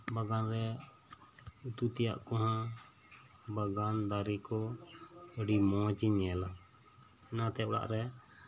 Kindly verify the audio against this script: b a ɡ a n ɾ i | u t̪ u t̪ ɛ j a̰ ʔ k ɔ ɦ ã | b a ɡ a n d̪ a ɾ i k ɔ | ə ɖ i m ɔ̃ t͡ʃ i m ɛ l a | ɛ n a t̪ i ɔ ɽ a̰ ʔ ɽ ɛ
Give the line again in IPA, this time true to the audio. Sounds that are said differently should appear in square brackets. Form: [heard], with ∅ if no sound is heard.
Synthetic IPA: b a ɡ a n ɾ [ɛ] | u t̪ u t̪ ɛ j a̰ ʔ k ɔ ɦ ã | b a ɡ a n d̪ a ɾ i k ɔ | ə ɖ i m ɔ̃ t͡ʃ i [ɲ] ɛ l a | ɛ n a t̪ [ɛ] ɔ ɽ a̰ ʔ [ɾ] ɛ